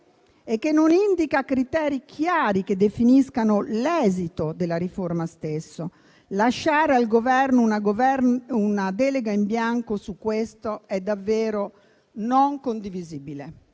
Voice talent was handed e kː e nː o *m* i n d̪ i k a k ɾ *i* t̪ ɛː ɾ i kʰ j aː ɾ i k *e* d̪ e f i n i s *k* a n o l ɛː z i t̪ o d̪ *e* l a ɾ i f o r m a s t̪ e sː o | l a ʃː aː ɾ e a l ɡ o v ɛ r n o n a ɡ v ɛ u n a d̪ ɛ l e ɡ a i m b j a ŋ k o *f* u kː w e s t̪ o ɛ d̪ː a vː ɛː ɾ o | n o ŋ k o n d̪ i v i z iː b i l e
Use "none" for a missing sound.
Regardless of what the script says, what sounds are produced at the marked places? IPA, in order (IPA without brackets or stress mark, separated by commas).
n, i, e, k, e, s